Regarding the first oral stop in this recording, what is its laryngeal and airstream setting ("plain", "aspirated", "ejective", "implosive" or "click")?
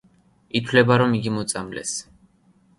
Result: aspirated